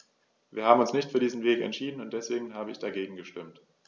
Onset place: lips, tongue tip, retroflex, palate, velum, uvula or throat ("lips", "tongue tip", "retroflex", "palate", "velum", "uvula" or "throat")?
lips